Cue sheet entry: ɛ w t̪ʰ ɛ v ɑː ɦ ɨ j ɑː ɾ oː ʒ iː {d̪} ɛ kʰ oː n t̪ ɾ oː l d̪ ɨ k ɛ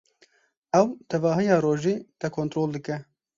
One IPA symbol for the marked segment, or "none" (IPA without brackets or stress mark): t̪